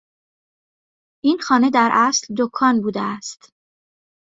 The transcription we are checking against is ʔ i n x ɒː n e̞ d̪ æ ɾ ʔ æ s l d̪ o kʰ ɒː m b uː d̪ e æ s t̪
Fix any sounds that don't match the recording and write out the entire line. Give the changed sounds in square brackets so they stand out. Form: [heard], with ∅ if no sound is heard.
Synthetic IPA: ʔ i n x ɒː n e̞ d̪ æ ɾ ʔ æ s l d̪ o kʰ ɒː [n] b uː d̪ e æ s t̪